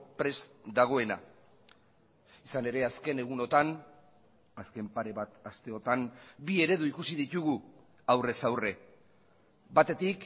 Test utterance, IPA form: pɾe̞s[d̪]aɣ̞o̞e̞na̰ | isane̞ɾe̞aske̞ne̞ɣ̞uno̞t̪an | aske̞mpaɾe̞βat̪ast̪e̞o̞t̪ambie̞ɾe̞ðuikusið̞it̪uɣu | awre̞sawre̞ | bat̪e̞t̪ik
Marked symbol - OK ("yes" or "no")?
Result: yes